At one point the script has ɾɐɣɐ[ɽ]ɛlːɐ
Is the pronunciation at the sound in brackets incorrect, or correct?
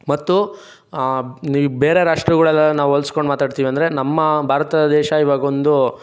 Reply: incorrect